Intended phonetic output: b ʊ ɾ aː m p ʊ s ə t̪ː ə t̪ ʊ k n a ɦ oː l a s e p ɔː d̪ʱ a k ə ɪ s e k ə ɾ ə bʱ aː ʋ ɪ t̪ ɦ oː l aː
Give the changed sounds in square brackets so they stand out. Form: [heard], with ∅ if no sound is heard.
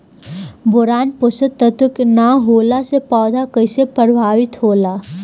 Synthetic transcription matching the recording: b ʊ ɾ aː [n] p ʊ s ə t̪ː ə t̪ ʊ k n a ɦ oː l a s e p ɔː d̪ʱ a k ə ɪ s e [p] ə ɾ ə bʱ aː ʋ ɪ t̪ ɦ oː l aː